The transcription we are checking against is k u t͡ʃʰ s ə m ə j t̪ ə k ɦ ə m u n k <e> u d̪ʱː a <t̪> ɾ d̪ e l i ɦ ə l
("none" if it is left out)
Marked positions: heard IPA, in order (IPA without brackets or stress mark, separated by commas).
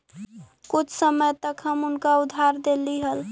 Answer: a, none